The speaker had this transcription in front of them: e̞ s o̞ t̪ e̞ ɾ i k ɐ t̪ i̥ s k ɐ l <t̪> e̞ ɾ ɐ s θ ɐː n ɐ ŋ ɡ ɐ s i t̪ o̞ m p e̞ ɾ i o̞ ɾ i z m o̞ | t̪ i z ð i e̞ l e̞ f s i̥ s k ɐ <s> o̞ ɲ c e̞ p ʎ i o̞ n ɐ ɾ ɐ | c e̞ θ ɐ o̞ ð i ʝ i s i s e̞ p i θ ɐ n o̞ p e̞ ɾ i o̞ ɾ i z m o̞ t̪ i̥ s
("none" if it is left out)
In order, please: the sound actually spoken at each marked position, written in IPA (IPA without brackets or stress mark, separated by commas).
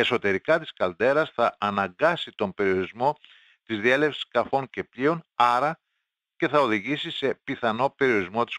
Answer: d̪, f